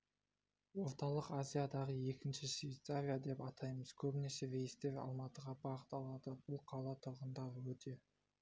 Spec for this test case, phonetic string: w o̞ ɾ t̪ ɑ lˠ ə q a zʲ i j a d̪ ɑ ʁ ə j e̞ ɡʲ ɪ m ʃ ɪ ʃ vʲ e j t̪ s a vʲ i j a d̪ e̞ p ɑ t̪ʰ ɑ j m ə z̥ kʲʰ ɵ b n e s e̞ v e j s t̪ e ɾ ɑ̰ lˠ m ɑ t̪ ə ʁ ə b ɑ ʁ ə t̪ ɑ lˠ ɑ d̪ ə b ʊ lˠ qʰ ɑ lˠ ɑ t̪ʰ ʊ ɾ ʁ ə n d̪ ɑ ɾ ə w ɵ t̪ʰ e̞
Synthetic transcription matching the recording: w o̞ ɾ t̪ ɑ lˠ ə q a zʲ i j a d̪ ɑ ʁ ə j e̞ kʲ ɪ n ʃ ɪ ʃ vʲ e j t̪ s a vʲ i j a d̪ e̞ p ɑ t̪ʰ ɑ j m ə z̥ kʲʰ ɵ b n e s e̞ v e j s t̪ e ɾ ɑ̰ lˠ m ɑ t̪ ə ʁ ɑ b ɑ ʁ ə t̪ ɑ lˠ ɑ d̪ ə b ʊ lˠ qʰ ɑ lˠ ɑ t̪ʰ ʊ ɾ ʁ ə n d̪ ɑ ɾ ə w ɵ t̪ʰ e̞